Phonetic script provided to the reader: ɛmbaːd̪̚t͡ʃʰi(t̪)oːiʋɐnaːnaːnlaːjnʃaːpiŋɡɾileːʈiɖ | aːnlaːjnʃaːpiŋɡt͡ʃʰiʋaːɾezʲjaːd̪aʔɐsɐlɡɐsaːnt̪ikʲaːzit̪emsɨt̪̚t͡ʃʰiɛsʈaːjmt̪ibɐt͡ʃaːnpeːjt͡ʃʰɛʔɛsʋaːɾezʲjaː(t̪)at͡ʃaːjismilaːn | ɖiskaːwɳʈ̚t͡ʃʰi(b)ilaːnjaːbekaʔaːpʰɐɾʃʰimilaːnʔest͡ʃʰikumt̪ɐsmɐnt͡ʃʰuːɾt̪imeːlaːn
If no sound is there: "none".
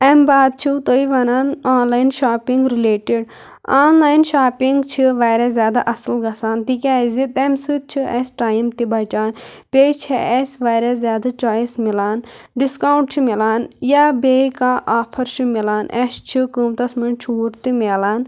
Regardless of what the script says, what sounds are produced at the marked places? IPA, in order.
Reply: t̪, d̪, m

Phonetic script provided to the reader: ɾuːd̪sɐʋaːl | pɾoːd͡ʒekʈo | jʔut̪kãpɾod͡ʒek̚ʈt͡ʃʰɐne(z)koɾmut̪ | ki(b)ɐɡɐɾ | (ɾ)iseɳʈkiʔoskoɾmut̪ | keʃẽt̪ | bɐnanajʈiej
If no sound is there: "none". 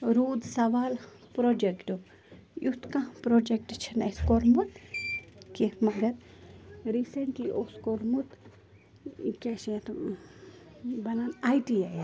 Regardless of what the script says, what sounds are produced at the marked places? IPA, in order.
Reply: s, m, ɾ

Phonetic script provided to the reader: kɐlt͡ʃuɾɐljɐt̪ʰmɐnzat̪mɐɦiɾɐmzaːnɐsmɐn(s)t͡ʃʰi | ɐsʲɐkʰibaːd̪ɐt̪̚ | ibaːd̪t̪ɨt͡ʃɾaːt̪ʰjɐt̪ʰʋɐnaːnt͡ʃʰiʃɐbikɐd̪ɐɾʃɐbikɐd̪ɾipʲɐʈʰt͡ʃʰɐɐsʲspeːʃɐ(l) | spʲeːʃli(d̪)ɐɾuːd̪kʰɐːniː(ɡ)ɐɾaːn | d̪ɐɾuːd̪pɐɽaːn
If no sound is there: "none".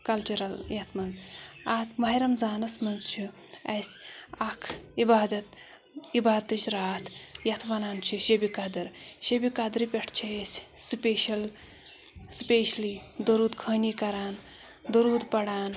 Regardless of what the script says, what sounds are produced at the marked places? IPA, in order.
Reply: z, l, d̪, k

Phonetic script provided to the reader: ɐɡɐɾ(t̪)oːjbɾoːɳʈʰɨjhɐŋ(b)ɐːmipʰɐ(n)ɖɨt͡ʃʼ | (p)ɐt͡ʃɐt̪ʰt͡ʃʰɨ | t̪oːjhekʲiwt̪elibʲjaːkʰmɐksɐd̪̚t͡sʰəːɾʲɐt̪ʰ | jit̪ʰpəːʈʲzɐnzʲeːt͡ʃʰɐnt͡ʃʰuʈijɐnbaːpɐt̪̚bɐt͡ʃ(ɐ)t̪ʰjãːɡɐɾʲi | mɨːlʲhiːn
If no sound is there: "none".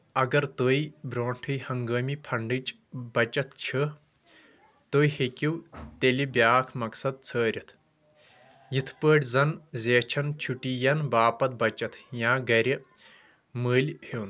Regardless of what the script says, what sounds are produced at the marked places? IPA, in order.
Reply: t̪, ɡ, ɳ, b, ɐ

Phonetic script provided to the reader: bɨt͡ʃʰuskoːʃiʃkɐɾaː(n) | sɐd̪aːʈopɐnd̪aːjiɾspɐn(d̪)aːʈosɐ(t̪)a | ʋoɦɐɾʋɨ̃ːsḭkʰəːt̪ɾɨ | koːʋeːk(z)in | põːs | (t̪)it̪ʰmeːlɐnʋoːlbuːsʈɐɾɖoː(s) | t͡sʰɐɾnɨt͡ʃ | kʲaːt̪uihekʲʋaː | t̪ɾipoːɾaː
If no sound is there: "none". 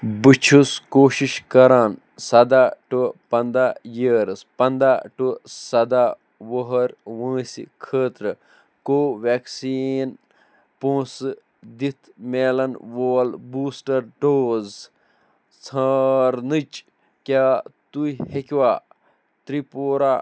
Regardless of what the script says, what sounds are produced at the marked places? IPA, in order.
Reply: n, d̪, d̪, s, d̪, z

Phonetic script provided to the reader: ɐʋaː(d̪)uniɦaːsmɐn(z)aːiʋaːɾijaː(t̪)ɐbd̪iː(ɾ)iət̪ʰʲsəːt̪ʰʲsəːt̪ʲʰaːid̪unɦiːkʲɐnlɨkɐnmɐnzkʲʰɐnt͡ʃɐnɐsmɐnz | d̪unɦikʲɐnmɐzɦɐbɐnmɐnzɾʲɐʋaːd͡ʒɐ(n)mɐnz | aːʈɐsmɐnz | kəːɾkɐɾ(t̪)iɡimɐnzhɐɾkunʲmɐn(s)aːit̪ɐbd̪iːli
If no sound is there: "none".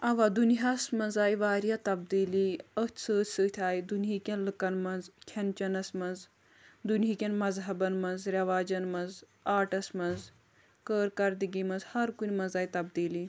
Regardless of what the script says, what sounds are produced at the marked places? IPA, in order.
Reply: d̪, z, t̪, l, n, d̪, z

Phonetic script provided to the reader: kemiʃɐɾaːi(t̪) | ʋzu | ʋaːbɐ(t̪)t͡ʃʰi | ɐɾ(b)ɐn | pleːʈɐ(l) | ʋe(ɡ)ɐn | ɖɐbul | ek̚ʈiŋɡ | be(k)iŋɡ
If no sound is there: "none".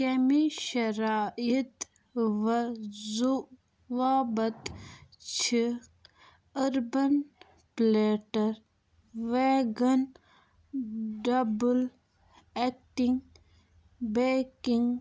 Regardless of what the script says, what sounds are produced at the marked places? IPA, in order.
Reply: t̪, t̪, b, ɾ, ɡ, k

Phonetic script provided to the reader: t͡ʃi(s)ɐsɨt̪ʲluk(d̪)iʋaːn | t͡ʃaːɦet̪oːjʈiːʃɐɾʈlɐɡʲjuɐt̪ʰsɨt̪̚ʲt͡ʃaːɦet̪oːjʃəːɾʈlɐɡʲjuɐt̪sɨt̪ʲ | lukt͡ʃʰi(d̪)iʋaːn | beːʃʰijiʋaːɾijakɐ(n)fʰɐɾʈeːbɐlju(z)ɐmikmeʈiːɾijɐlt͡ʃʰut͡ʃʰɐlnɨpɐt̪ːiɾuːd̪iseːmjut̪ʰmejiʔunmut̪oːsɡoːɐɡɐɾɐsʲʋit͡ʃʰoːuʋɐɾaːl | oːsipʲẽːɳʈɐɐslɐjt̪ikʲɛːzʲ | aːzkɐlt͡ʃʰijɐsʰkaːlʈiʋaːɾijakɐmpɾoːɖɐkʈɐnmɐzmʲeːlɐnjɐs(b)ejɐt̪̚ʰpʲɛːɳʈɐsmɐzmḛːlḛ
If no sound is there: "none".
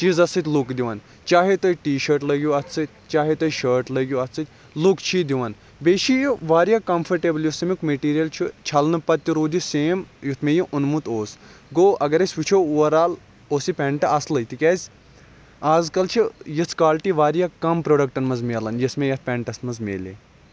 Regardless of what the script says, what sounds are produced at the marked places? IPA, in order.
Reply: z, d̪, d̪, m, s, m

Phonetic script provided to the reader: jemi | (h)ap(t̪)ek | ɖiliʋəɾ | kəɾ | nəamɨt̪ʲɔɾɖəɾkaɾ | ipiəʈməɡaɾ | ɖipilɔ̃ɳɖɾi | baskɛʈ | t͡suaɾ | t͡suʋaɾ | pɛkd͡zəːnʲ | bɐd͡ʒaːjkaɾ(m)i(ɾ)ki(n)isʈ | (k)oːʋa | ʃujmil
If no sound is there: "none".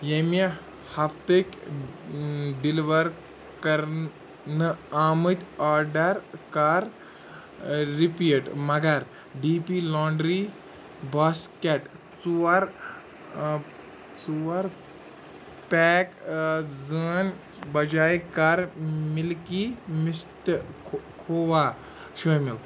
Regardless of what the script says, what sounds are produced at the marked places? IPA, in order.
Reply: h, t̪, m, l, m, kʰ

